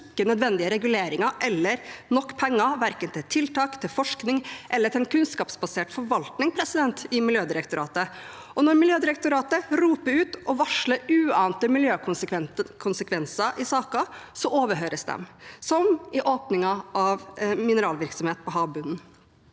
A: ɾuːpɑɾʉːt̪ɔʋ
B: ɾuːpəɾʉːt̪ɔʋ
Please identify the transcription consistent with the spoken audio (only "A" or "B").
B